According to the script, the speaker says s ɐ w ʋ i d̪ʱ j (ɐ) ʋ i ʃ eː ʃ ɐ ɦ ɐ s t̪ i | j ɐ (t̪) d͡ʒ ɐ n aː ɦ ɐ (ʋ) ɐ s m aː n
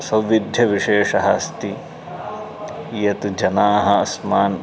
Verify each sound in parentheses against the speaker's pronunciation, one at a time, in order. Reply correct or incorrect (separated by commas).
correct, correct, incorrect